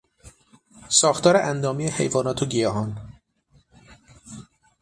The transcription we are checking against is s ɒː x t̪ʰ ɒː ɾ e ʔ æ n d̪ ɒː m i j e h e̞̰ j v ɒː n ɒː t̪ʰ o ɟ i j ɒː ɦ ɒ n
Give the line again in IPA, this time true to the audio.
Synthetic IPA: s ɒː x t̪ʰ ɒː ɾ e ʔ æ n d̪ ɒː m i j e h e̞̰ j v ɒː n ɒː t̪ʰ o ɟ i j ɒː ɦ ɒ n